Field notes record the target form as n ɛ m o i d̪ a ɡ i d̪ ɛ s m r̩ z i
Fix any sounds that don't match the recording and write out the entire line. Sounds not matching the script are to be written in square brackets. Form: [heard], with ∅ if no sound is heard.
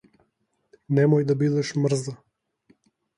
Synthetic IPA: n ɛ m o [j] d̪ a [b] i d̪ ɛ [ʃ] m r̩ z [a]